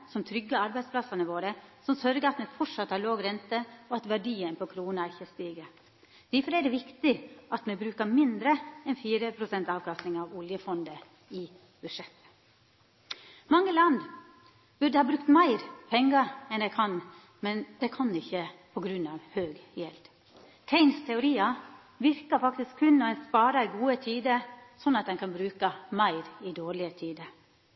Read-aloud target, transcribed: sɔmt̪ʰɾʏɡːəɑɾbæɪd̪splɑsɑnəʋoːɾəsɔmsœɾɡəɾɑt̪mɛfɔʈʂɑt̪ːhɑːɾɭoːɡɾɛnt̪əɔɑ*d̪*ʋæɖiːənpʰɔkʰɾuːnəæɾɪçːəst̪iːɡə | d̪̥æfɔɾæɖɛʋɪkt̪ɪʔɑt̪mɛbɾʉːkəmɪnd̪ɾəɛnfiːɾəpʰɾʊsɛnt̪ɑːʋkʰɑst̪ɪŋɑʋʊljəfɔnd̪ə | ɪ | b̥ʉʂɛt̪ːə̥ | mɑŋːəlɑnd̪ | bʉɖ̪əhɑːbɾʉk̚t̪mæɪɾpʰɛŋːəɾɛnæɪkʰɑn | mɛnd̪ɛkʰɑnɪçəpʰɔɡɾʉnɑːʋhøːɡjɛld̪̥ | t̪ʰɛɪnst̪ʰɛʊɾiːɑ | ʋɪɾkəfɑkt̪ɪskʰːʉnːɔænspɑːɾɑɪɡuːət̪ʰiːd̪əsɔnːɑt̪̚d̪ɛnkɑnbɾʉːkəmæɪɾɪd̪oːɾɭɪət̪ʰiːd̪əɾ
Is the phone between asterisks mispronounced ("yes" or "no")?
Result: yes